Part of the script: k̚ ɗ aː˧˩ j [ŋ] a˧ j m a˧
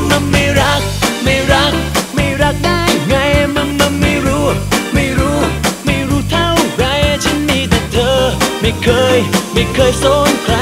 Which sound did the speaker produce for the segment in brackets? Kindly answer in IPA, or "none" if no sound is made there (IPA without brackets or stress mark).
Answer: ŋ